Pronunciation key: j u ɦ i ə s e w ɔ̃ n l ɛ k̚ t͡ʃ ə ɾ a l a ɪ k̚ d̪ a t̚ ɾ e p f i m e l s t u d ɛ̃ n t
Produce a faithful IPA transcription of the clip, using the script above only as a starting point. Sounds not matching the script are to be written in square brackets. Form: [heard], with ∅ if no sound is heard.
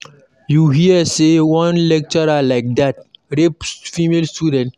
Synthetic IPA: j u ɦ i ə s e w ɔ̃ n l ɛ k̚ t͡ʃ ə ɾ a l a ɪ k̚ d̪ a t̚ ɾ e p f i m e l s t u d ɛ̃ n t